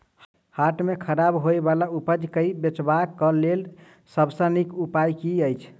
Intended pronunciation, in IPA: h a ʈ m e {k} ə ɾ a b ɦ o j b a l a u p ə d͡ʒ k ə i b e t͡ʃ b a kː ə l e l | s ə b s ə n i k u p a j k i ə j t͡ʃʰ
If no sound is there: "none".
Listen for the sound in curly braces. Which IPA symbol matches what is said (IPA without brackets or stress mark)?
kʰ